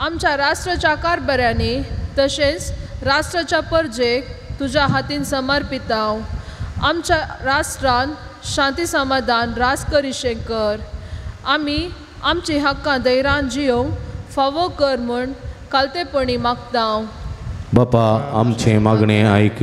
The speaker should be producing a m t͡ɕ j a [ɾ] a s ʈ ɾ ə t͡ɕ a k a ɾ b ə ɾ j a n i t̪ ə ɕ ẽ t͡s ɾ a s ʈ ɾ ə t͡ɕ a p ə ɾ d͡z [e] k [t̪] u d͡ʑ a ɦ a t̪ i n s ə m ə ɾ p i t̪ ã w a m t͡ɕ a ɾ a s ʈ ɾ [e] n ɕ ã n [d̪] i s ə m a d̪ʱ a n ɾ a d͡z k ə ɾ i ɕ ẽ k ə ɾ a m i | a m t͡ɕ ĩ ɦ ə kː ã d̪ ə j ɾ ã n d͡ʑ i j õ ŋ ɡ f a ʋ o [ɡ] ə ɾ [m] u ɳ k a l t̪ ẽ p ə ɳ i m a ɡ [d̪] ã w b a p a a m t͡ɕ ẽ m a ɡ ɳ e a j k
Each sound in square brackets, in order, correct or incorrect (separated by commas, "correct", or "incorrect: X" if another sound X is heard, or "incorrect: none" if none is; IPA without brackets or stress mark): correct, correct, correct, incorrect: a, incorrect: t̪, incorrect: k, correct, incorrect: t̪